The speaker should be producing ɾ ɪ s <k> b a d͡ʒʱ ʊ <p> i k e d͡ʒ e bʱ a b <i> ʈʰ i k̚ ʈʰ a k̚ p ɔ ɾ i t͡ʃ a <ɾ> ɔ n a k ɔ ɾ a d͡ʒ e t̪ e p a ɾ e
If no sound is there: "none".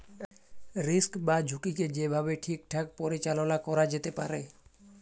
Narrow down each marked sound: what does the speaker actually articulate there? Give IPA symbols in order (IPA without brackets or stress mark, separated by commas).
k, k, e, l